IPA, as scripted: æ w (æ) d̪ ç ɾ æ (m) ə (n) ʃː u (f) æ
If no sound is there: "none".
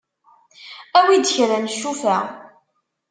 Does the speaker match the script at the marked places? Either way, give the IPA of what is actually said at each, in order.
i, n, none, f

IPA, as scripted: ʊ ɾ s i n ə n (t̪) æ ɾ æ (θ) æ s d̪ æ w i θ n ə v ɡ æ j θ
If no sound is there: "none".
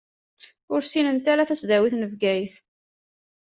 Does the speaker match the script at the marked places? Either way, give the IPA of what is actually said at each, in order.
t̪, θ

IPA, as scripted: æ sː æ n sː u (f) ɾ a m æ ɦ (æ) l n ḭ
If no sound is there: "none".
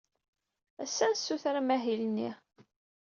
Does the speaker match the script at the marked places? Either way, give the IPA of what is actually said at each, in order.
θ, i

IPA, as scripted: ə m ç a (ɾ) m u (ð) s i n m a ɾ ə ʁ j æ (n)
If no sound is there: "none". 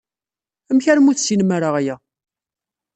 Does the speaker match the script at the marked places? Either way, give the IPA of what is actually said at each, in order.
ɾ, θ, none

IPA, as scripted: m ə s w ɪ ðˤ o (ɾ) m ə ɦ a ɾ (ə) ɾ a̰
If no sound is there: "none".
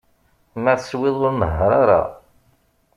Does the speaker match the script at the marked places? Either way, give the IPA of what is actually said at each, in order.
ɾ, a

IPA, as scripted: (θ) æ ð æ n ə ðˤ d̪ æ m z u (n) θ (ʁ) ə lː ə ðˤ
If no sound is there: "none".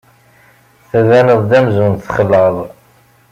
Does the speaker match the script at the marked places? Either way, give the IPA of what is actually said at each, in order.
θ, n, χ

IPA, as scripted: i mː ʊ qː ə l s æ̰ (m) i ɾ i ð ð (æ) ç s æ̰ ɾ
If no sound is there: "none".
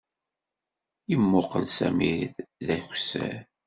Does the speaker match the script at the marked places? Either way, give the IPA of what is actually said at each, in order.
m, æ

